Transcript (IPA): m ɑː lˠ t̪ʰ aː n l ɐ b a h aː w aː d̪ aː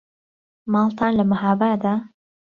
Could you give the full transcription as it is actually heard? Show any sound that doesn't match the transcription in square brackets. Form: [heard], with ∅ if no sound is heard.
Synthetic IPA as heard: m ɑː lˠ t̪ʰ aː n l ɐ [m] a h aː [b] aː d̪ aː